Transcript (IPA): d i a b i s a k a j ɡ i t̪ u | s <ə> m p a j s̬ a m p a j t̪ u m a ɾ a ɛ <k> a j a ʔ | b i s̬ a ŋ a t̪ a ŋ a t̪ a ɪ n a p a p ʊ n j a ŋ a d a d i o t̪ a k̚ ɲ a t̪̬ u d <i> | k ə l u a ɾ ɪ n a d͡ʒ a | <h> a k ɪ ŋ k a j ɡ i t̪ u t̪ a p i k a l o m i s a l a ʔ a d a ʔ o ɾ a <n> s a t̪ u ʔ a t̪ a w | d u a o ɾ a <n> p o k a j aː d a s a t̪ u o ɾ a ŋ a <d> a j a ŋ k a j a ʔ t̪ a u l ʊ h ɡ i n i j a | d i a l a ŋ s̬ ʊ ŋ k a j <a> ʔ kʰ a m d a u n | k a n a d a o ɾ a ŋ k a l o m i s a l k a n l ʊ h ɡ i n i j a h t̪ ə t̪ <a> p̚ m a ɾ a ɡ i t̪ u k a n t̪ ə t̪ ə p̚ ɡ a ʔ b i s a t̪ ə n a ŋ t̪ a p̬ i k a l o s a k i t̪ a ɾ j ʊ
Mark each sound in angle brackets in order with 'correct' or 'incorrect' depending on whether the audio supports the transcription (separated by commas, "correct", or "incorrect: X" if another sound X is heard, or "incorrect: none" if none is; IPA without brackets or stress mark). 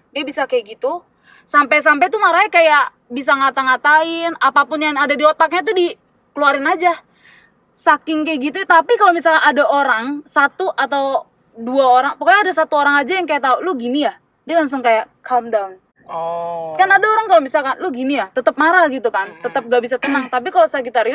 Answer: incorrect: a, correct, correct, incorrect: s, incorrect: ŋ, incorrect: ŋ, incorrect: d͡ʒ, correct, incorrect: ə